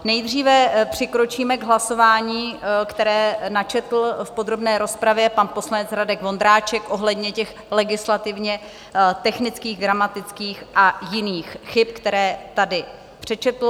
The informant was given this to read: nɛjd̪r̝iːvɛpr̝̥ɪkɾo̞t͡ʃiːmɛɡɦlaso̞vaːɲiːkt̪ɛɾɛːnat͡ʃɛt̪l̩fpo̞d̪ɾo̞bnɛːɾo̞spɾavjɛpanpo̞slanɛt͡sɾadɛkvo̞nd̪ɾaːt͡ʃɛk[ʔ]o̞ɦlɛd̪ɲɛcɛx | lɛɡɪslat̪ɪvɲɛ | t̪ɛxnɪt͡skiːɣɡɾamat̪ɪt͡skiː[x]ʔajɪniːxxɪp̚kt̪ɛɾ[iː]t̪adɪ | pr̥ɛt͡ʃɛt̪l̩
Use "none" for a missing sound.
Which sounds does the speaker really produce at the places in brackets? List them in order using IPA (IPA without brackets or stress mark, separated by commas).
ʔ, x, ɛː